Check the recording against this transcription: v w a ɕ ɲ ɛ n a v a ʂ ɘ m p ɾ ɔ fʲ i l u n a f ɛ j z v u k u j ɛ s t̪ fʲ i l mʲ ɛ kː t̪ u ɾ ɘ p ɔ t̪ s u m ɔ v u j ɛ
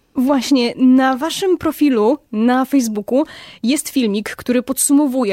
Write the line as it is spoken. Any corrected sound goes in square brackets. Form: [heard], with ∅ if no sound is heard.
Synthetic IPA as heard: v w a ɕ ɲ ɛ n a v a ʂ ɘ m p ɾ ɔ fʲ i l u n a f ɛ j z [b] u k u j ɛ s t̪ fʲ i l mʲ [i] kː t̪ u ɾ ɘ p ɔ t̪ s u m ɔ v u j ɛ